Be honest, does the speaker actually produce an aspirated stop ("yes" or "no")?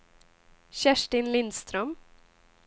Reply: no